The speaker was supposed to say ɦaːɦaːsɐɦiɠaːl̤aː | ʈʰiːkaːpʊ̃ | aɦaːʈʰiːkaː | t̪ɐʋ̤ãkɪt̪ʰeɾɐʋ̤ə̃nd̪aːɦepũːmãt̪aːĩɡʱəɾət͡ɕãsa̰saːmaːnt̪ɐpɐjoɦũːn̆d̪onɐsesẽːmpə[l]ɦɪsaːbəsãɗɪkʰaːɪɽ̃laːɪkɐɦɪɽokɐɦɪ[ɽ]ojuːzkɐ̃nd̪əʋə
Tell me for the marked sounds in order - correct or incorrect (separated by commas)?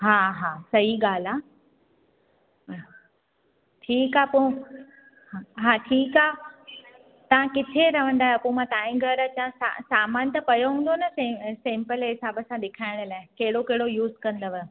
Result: correct, correct